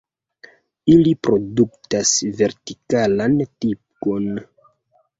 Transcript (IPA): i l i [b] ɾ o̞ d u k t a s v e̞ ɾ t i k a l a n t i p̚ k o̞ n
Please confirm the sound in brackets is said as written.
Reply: no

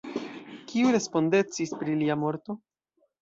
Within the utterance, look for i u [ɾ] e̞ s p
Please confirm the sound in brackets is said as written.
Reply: yes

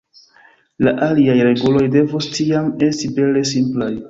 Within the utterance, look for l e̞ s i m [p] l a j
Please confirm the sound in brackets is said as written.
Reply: yes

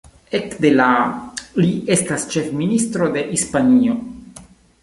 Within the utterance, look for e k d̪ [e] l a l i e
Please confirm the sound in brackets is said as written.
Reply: yes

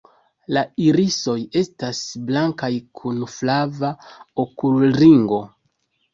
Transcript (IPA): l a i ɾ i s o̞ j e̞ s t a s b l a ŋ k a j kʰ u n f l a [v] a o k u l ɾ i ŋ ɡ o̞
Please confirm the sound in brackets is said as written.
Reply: yes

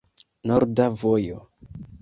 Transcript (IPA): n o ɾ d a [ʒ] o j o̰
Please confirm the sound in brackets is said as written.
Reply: no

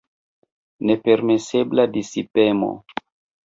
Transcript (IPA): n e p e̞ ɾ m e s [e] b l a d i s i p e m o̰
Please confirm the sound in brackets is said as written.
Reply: yes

